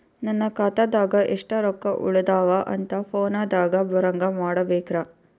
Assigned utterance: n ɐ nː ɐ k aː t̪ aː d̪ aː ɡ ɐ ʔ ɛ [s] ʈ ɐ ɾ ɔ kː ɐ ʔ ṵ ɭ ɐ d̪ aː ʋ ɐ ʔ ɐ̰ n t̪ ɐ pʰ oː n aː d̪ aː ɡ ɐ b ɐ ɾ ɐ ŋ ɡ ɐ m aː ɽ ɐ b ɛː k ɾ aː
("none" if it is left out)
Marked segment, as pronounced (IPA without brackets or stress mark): ʂ